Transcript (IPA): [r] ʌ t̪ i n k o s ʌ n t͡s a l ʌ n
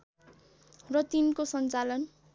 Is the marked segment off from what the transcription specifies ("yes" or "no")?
no